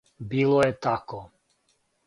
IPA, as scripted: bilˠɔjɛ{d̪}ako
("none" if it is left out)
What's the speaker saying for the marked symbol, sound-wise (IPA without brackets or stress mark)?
t̪